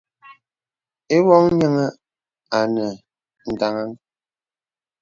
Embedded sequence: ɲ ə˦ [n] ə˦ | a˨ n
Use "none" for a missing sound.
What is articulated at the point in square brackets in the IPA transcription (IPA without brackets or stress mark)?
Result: ŋ